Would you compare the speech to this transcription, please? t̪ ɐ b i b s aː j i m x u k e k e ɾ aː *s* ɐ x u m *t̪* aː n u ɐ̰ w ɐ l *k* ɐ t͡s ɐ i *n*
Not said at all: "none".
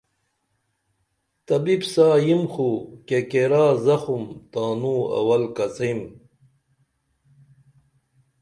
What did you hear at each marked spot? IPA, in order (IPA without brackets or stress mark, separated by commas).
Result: z, t̪, k, m